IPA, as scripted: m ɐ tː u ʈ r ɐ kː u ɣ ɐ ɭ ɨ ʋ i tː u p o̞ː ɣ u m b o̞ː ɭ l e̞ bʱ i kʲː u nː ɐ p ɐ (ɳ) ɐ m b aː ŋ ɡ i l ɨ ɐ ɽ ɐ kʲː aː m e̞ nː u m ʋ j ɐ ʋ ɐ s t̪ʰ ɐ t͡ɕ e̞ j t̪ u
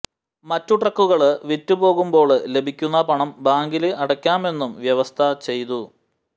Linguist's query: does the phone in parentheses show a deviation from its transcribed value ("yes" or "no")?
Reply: no